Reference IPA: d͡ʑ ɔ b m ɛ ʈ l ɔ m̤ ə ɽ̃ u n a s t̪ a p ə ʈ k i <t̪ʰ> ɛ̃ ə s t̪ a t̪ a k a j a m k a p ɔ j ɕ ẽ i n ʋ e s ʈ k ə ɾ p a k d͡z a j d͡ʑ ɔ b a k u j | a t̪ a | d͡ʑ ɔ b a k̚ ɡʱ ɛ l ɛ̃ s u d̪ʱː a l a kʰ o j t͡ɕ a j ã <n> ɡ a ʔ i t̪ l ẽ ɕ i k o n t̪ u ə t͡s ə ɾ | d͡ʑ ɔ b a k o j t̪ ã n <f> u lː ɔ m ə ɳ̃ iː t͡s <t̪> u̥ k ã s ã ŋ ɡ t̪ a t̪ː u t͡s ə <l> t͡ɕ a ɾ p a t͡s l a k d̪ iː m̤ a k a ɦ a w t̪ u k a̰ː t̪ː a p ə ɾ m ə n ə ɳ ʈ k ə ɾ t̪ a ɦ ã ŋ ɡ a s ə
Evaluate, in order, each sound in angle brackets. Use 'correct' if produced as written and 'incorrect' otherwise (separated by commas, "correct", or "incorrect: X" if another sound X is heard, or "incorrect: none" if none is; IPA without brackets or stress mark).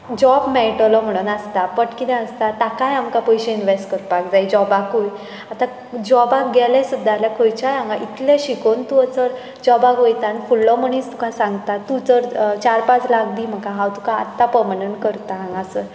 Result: incorrect: t̪, incorrect: ŋ, correct, correct, incorrect: ɾ